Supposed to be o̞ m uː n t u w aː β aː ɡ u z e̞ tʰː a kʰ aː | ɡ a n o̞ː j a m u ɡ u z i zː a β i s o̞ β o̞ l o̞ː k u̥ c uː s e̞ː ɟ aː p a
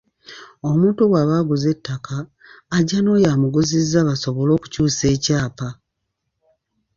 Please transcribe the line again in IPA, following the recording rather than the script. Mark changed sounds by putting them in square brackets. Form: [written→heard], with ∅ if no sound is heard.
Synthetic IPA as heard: o̞ m uː n t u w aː β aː ɡ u z e̞ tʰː a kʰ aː | [ɡ→ɟ] a n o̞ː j a m u ɡ u z i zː a β [i→a] s o̞ β o̞ l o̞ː k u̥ c uː s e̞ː [ɟ→c] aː p a